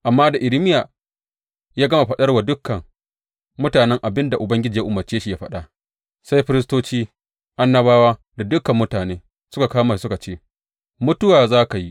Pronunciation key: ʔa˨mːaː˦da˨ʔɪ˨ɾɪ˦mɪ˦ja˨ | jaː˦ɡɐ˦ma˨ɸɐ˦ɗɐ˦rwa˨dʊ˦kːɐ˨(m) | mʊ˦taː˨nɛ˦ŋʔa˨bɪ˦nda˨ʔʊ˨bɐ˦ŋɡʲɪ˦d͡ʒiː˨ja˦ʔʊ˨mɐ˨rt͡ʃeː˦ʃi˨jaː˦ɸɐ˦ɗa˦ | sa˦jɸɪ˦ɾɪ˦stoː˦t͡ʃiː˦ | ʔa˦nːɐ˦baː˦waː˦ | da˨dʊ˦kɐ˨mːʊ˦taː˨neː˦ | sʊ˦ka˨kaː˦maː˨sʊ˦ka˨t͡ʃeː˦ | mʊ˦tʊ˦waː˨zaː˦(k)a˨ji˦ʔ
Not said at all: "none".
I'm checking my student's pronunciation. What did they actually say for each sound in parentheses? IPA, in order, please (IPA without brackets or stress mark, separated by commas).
ŋ, k